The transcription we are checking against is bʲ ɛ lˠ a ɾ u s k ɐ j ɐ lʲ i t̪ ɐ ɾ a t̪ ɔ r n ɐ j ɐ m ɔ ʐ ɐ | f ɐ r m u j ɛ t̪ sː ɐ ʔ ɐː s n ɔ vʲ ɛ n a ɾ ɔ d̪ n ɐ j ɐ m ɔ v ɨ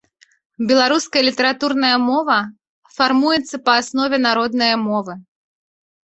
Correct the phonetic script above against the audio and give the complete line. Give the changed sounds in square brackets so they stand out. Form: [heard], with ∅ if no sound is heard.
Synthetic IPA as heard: bʲ ɛ lˠ a ɾ u s k ɐ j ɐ lʲ i t̪ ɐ ɾ a t̪ [u] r n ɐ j ɐ m ɔ [v] ɐ | f [a] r m u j ɛ t̪ sː ɐ [p] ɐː s n ɔ vʲ ɛ n a ɾ ɔ d̪ n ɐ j ɐ m ɔ v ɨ